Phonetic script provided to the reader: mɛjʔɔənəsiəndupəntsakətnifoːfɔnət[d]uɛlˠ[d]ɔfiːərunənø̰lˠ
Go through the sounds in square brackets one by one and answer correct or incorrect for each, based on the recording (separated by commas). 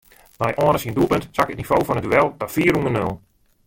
correct, correct